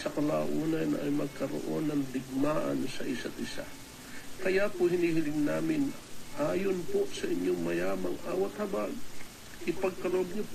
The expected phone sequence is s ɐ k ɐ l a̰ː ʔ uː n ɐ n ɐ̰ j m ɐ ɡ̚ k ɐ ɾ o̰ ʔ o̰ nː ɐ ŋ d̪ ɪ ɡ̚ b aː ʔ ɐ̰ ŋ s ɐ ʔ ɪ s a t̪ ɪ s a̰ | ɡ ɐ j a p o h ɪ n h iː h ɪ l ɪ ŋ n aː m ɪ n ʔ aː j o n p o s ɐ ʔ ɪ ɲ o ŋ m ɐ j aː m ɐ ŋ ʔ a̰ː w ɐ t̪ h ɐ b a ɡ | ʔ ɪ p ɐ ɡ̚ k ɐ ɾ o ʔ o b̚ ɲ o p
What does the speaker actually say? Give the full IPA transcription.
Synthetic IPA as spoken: s ɐ k ɐ l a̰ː ʔ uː n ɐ n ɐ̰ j m ɐ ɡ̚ k ɐ ɾ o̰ ʔ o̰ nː ɐ ŋ d̪ ɪ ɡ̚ m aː ʔ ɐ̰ n s ɐ ʔ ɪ s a t̪ ɪ s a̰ | k ɐ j a p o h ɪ n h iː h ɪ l ɪ ŋ n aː m ɪ n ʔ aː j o n p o s ɐ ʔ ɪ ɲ o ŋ m ɐ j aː m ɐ ŋ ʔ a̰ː w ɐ t̪ h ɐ b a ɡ | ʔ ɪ p ɐ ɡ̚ k ɐ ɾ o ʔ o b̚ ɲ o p